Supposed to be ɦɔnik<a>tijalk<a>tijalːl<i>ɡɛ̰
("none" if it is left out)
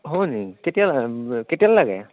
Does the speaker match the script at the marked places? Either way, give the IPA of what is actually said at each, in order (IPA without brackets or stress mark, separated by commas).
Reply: e, e, a